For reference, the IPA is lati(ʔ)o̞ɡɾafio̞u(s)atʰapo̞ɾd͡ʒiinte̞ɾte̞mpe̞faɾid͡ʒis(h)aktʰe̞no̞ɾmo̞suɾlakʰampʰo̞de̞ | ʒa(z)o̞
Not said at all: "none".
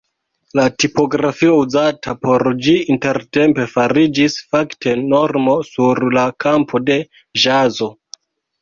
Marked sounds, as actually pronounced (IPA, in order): p, z, f, z

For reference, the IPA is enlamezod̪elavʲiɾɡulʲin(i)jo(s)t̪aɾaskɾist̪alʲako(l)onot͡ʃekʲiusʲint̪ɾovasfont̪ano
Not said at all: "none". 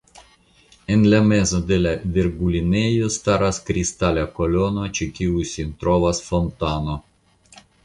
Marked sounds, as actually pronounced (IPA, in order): e, s, l

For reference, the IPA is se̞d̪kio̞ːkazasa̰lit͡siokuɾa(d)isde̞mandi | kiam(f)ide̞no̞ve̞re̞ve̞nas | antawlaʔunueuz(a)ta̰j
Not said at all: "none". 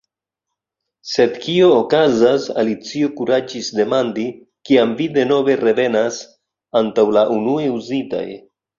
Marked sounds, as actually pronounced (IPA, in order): d͡ʒ, v, i

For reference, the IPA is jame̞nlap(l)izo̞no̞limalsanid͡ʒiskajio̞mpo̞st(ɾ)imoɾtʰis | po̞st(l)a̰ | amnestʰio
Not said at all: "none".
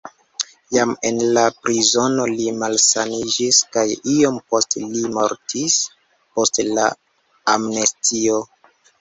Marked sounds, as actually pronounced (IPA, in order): ɾ, l, l

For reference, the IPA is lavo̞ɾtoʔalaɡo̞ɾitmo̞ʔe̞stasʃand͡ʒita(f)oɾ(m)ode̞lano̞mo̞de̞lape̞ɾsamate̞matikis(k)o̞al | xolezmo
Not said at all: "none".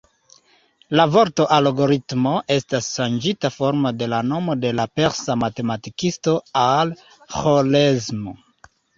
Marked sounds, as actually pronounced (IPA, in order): f, m, t

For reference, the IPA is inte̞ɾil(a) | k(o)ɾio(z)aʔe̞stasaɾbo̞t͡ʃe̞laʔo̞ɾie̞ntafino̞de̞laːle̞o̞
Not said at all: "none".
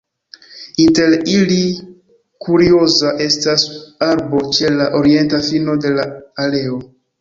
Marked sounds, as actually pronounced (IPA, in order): i, u, z

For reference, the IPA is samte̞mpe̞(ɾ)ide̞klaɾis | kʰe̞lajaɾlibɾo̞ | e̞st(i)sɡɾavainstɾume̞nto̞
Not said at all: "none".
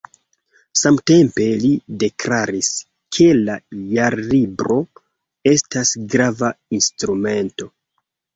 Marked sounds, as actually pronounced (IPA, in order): l, a

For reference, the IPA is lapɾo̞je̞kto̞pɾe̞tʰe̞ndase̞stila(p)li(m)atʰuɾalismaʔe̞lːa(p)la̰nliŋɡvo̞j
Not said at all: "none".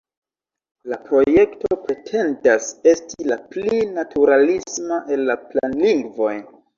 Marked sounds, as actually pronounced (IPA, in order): p, n, p

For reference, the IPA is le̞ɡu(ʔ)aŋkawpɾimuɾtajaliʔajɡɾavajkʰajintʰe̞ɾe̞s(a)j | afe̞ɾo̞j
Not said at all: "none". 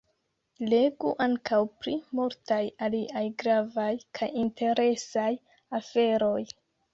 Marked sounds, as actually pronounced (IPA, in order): ʔ, a

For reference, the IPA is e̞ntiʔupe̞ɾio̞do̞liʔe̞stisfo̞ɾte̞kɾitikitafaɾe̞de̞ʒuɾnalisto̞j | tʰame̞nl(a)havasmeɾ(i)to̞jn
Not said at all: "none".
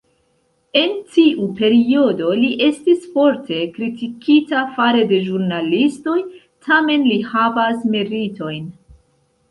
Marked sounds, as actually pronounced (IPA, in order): i, i

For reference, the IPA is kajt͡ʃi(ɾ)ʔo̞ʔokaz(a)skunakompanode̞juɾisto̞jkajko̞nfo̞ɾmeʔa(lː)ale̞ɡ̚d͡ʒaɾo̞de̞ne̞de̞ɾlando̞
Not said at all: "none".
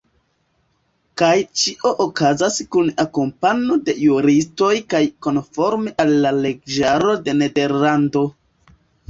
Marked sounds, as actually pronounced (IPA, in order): none, a, lː

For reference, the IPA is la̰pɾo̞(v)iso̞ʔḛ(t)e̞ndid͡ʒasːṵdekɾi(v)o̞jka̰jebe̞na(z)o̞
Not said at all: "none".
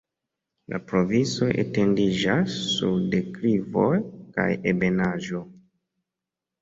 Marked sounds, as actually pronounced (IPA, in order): v, t, v, ʒ

